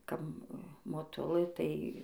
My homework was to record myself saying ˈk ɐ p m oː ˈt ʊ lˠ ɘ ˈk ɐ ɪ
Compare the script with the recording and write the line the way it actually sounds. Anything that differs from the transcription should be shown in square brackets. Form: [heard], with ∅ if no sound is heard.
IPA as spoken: ˈk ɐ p m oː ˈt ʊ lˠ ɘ [ˈt] ɐ ɪ

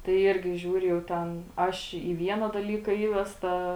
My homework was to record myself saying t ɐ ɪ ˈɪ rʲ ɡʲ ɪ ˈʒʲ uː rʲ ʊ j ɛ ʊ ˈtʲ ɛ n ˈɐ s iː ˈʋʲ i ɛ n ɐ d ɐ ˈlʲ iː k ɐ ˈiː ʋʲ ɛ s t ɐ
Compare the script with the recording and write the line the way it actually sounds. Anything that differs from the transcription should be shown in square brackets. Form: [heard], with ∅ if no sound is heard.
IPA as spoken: t ɐ ɪ ˈɪ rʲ ɡʲ ɪ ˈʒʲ uː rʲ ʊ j ɛ ʊ ˈtʲ ɛ n ˈɐ [ʃ] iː ˈʋʲ i ɛ n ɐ d ɐ ˈlʲ iː k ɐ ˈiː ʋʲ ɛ s t ɐ

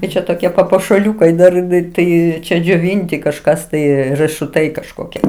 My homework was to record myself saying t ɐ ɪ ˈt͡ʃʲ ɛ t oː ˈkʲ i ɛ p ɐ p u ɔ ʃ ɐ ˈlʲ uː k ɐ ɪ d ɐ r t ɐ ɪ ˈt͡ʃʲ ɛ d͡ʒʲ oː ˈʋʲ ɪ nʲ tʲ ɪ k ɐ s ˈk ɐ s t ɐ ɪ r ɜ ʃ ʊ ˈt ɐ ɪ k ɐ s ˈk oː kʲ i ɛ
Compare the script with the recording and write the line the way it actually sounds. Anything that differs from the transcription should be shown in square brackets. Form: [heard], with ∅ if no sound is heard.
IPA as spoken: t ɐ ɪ ˈt͡ʃʲ ɛ t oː ˈkʲ i ɛ p ɐ p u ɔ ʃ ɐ ˈlʲ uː k ɐ ɪ d ɐ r t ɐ ɪ ˈt͡ʃʲ ɛ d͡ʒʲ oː ˈʋʲ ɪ nʲ tʲ ɪ k ɐ [ʃ] ˈk ɐ s t ɐ ɪ r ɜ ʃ ʊ ˈt ɐ ɪ k ɐ [ʃ] ˈk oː kʲ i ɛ

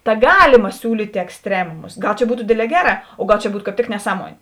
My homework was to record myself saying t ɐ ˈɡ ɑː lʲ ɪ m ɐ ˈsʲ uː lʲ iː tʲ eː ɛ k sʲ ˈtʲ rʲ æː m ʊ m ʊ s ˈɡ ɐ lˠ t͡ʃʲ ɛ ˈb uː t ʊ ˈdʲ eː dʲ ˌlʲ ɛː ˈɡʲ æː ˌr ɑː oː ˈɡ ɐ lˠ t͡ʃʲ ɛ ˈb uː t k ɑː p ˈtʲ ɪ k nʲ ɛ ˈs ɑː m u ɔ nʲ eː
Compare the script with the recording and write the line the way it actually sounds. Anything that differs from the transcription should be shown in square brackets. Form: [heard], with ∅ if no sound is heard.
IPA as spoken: t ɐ ˈɡ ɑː lʲ ɪ m ɐ ˈsʲ uː lʲ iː tʲ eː ɛ k sʲ ˈtʲ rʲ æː m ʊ m ʊ s ˈɡ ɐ lˠ t͡ʃʲ ɛ ˈb uː t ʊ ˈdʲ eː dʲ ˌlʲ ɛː ˈɡʲ æː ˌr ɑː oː ˈɡ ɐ lˠ t͡ʃʲ ɛ ˈb uː t k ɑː p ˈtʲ ɪ k nʲ ɛ ˈs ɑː m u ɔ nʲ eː

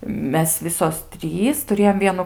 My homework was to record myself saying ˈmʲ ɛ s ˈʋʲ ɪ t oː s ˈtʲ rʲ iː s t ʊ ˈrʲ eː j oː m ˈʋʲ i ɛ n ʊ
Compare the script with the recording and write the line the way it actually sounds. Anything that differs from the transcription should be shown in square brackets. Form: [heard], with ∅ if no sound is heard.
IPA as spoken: ˈmʲ ɛ s ˈʋʲ ɪ [s] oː s ˈtʲ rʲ iː s t ʊ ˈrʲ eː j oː m ˈʋʲ i ɛ n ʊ

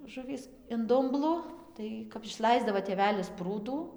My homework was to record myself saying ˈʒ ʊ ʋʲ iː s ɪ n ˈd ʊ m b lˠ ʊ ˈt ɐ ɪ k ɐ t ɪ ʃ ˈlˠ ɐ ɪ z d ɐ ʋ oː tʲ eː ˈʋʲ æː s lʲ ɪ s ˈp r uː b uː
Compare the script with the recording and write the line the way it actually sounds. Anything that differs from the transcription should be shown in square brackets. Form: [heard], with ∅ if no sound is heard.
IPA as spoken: ˈʒ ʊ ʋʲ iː s ɪ n ˈd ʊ m b lˠ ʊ ˈt ɐ ɪ k ɐ [p] ɪ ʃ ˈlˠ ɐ ɪ z d ɐ ʋ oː tʲ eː ˈʋʲ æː [∅] lʲ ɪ s ˈp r uː [d] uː

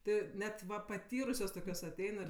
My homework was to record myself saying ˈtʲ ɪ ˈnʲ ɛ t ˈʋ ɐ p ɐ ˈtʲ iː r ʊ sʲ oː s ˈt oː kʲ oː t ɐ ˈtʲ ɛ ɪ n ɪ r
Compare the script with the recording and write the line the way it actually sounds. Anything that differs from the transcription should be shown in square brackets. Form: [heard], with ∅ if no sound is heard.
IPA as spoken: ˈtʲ ɪ ˈnʲ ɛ t ˈʋ ɐ p ɐ ˈtʲ iː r ʊ sʲ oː s ˈt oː kʲ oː [s] ɐ ˈtʲ ɛ ɪ n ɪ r

